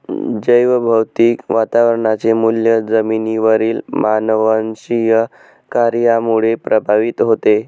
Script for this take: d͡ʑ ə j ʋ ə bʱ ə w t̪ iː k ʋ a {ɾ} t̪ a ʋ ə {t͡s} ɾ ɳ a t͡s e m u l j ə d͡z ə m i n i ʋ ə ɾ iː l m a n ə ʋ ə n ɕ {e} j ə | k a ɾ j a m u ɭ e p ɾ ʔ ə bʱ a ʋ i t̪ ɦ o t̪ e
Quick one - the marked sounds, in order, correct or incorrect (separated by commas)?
incorrect, incorrect, incorrect